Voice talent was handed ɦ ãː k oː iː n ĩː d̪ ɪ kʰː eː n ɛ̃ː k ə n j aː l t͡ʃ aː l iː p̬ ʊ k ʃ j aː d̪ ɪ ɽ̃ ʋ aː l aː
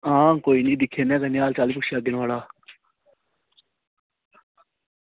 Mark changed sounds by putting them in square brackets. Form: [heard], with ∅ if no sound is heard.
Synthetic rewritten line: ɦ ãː k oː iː n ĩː d̪ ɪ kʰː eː n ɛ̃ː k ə n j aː l t͡ʃ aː l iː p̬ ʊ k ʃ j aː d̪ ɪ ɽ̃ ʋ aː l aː